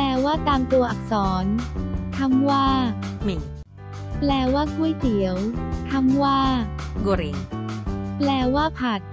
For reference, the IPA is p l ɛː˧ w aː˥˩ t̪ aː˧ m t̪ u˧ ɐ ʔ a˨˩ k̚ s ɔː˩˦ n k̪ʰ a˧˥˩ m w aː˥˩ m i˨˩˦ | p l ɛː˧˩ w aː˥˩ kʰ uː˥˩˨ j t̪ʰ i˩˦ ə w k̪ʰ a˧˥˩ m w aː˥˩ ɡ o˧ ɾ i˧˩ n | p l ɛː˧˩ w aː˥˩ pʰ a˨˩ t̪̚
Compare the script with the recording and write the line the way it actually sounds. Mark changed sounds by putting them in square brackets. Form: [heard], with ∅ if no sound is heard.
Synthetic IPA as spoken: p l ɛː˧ w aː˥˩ t̪ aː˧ m t̪ u˧ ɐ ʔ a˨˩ k̚ s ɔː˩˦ n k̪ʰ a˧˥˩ m w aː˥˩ m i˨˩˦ | p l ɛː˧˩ w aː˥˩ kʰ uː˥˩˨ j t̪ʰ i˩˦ ə w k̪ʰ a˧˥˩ m w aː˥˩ ɡ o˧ ɾ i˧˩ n | p l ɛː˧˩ w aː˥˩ pʰ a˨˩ t̪̚